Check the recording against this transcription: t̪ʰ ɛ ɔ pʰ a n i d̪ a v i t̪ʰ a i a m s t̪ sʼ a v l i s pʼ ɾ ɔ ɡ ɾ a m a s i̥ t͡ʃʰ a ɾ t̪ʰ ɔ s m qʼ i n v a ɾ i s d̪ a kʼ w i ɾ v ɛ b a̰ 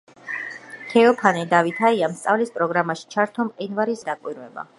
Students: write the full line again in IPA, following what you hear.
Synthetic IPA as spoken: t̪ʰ ɛ ɔ pʰ a n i d̪ a v i t̪ʰ a i a m s t̪ sʼ a v l i s pʼ ɾ ɔ ɡ ɾ a m a ʃ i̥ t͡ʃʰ a ɾ t̪ʰ ɔ m qʼ i n v a ɾ i s d̪ a kʼ w i ɾ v ɛ b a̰